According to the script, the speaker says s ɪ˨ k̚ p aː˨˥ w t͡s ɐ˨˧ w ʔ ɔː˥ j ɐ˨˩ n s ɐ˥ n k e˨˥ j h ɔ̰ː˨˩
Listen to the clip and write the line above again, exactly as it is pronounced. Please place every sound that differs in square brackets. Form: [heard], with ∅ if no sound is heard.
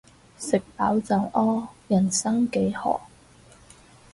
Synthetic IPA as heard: s ɪ˨ k̚ p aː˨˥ w t͡s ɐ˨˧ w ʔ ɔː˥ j ɐ˨˩ n s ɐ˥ [ŋ] k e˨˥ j h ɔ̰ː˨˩